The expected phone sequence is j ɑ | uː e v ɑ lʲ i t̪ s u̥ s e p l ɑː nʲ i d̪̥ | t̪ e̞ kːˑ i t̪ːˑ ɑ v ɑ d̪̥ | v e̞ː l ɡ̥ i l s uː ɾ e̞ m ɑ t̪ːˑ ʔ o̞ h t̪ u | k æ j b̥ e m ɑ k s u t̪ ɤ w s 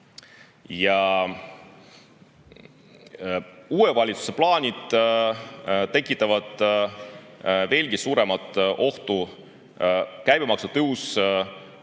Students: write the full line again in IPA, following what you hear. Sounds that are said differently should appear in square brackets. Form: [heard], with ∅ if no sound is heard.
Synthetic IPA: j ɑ | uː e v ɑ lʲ i t̪ s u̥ s e p l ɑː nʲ i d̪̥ | t̪ e̞ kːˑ i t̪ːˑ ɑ v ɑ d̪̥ | v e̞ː l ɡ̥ i [∅] s uː ɾ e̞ m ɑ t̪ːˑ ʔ o̞ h t̪ u | k æ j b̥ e m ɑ k s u t̪ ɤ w s